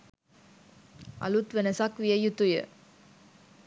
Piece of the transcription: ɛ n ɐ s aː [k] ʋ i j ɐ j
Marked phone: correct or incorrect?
correct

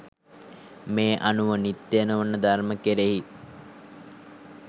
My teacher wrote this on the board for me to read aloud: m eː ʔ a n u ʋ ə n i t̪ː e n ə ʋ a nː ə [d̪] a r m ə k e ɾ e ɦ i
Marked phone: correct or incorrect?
correct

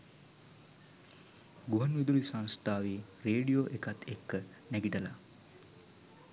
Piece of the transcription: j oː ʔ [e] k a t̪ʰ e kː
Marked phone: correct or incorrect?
correct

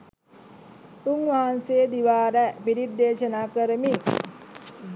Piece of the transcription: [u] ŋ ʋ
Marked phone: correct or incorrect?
correct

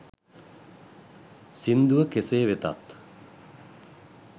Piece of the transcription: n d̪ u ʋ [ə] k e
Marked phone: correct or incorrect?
correct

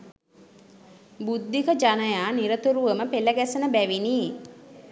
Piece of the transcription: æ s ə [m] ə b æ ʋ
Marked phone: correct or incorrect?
incorrect: n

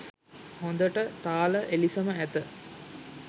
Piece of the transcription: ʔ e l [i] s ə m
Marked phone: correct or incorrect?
correct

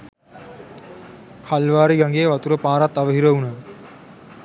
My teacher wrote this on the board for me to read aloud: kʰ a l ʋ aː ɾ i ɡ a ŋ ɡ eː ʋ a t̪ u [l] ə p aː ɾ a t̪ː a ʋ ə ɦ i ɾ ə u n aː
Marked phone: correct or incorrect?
incorrect: ɾ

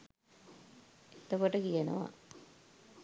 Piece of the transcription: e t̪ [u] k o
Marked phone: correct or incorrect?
incorrect: o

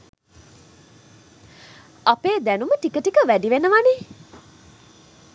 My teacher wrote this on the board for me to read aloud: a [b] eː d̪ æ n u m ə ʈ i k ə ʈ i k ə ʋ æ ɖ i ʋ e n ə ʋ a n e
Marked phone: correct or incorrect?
incorrect: p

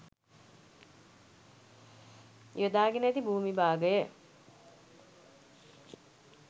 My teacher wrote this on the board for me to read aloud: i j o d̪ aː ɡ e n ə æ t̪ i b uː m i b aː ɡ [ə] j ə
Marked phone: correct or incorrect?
correct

